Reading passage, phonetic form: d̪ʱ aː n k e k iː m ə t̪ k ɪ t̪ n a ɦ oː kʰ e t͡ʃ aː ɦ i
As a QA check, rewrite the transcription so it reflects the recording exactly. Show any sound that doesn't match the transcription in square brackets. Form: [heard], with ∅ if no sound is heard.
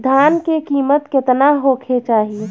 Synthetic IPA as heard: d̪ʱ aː n k e k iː m ə t̪ k ɪ t̪ n a ɦ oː kʰ e t͡ʃ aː ɦ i